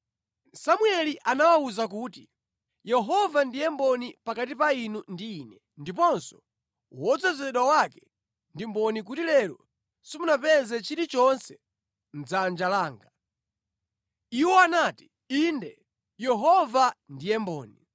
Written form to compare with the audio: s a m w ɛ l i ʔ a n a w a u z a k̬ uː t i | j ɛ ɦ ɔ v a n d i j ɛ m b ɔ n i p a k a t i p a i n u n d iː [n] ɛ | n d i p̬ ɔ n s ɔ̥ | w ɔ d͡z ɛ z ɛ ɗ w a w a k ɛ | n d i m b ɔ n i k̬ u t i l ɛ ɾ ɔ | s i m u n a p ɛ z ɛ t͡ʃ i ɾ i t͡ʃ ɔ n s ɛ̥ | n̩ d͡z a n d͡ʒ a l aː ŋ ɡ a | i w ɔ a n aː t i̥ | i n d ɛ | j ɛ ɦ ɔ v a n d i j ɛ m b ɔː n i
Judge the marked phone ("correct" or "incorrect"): correct